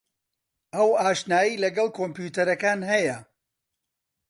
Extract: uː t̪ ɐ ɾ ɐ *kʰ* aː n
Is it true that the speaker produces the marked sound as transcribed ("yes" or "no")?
no